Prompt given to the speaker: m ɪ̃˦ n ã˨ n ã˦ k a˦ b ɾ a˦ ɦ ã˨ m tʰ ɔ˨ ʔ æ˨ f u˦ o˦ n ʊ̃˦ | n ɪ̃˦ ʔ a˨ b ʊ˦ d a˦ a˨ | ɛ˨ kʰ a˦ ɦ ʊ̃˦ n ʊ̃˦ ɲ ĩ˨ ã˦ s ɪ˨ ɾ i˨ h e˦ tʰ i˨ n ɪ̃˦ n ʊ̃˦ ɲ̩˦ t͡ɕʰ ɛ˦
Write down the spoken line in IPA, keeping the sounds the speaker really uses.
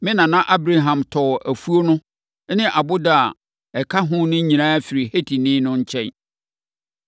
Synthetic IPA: m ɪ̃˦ n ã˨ n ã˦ ʔ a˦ b ɾ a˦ ɦ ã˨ m tʰ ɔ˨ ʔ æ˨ f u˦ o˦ n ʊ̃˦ | n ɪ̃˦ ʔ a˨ b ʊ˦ d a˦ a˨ | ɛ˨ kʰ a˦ ɦ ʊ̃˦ n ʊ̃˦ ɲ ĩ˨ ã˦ f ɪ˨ ɾ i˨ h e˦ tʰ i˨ n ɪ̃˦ n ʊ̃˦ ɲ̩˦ t͡ɕʰ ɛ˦